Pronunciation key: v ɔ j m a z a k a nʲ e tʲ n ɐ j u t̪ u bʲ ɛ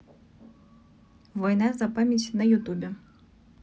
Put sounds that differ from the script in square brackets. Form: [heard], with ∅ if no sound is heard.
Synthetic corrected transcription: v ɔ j [n] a z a [p] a [mʲ] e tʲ n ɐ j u t̪ u bʲ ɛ